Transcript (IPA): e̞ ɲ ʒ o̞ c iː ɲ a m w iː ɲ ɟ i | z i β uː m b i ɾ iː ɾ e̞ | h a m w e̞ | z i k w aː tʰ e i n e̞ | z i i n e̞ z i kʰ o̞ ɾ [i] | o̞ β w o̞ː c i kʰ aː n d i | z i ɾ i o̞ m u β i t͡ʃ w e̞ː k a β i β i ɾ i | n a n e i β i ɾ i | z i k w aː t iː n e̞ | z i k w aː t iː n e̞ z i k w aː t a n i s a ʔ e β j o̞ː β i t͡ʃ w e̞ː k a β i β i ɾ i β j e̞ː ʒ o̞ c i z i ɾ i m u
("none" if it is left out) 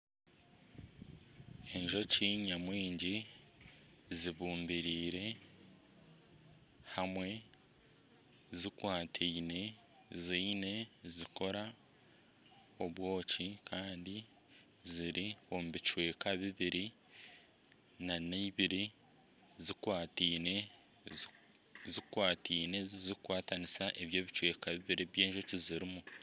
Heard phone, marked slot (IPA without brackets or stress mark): a